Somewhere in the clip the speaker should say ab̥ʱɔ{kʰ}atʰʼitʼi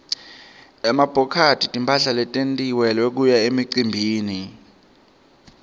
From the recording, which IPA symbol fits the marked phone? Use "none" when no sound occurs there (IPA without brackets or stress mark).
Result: kʰ